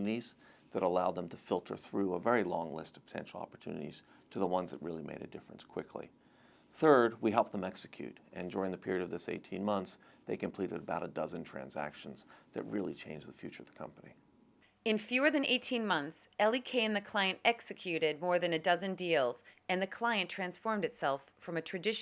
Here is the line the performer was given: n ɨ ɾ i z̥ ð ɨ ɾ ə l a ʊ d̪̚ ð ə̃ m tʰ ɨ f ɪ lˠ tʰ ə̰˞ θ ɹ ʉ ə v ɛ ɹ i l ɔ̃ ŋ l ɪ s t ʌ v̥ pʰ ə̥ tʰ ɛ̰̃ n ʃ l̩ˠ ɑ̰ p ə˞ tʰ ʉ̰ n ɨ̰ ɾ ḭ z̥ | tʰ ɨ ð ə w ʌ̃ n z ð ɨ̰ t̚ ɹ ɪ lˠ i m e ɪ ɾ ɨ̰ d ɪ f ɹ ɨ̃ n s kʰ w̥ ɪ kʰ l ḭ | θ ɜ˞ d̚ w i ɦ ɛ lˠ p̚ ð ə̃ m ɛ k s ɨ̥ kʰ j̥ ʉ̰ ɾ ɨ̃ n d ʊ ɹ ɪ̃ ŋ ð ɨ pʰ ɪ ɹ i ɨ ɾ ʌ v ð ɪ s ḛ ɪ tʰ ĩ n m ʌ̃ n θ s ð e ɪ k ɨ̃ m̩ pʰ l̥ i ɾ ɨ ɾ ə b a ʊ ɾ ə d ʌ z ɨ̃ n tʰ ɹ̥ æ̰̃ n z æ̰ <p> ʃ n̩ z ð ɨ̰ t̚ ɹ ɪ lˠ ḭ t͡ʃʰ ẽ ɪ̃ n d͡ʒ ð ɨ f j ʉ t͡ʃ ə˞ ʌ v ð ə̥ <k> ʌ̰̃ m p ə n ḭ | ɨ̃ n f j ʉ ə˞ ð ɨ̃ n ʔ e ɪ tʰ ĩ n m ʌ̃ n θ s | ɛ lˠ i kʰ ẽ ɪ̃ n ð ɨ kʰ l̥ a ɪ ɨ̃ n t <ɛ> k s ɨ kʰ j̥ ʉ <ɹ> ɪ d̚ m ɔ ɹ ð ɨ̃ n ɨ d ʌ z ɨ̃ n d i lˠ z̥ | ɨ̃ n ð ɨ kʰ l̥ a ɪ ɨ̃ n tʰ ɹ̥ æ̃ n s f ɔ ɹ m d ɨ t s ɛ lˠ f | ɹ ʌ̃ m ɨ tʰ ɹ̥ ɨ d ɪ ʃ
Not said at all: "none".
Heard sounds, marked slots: k, kʰ, ɛ, ɾ

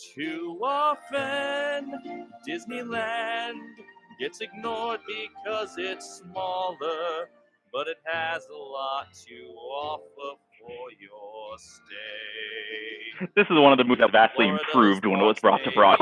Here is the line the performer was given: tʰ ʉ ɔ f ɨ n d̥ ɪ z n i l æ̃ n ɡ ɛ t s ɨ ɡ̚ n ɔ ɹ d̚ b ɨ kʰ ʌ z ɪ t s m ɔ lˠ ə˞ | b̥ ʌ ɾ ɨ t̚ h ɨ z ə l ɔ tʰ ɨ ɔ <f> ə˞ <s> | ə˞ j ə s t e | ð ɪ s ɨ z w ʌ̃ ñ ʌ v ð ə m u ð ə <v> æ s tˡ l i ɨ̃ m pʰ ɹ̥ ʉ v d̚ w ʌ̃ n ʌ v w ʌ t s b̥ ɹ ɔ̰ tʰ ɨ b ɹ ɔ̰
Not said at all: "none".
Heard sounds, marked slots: f, f, v

